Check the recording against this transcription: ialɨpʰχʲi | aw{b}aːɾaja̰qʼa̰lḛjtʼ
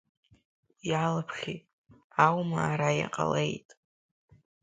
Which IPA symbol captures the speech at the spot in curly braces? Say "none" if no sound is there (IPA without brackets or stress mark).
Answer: m